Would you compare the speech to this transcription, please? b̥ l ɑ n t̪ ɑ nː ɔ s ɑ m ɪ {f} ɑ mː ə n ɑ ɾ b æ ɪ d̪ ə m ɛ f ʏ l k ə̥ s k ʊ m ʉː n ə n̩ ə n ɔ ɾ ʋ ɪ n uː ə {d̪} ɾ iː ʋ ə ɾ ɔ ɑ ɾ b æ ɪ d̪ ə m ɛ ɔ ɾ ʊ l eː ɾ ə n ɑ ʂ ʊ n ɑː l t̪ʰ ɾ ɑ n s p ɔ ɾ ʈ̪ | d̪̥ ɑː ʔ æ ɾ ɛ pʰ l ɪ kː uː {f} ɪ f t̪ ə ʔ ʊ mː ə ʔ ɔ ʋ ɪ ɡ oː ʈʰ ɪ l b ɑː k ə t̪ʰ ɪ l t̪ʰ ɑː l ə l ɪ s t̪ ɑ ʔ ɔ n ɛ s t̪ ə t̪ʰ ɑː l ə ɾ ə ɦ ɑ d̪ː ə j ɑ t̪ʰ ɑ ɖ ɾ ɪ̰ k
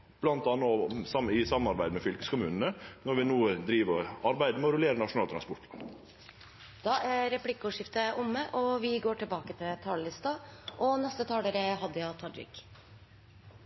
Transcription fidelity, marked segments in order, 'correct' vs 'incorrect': incorrect: s, correct, incorrect: ʂ

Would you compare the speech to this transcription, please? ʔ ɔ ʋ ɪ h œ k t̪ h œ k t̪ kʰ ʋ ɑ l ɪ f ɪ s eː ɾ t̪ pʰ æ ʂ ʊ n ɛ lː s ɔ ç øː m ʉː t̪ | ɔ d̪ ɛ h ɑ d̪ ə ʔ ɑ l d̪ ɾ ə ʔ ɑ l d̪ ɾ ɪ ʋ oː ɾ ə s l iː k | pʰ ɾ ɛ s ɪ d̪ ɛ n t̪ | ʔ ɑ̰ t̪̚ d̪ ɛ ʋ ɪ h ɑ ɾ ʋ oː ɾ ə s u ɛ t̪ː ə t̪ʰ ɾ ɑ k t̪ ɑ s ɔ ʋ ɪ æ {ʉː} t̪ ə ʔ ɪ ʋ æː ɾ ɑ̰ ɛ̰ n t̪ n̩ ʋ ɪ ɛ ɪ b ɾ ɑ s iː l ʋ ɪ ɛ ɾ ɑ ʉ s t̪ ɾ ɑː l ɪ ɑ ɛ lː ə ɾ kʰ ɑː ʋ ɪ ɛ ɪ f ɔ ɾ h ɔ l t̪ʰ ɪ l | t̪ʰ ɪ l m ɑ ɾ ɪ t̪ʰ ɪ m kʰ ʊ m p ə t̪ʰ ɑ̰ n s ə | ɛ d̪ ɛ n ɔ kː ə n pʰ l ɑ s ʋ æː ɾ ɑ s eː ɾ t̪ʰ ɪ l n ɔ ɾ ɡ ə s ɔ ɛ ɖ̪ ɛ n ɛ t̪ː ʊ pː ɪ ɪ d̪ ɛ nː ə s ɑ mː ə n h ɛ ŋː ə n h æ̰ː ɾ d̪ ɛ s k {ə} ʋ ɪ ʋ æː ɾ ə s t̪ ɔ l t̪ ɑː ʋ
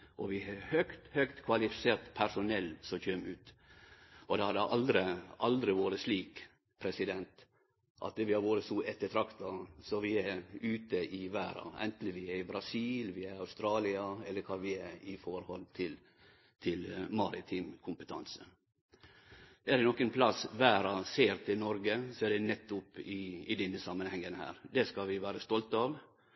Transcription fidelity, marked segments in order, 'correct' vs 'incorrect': correct, incorrect: ɑ

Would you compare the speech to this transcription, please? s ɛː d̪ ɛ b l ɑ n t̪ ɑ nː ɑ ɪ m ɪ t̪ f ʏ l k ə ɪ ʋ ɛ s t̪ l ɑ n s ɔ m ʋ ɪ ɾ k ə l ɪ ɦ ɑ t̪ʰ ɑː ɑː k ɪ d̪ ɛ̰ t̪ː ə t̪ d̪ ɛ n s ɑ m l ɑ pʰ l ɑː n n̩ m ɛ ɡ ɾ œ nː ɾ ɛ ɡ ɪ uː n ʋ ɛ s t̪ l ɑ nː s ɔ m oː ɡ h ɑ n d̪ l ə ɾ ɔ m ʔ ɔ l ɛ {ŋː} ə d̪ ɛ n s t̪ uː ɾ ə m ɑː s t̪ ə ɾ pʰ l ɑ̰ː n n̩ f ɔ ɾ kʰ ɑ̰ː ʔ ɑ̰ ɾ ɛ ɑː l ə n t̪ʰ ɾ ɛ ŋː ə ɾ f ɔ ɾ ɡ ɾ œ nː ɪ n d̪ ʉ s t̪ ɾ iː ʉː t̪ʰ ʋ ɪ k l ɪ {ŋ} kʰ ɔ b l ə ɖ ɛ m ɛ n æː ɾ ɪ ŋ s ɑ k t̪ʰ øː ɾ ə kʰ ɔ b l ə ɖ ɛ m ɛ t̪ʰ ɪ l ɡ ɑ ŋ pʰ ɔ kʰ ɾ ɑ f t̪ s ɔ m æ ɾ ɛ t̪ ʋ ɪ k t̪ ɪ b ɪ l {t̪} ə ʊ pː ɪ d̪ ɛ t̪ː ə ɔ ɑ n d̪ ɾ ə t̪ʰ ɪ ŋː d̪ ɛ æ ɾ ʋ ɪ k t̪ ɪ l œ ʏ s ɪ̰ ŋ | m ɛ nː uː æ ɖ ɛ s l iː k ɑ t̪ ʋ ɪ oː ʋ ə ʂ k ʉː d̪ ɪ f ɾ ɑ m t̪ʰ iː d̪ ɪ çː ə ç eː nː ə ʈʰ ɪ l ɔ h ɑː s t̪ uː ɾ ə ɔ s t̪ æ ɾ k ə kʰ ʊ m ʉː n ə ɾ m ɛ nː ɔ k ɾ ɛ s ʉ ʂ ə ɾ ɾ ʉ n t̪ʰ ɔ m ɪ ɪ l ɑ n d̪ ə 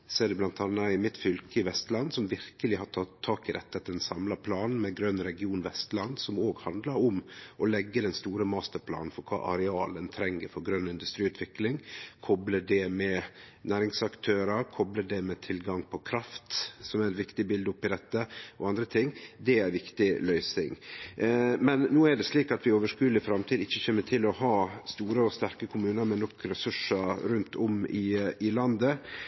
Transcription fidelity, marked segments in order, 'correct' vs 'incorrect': incorrect: ɡː, correct, incorrect: d̪

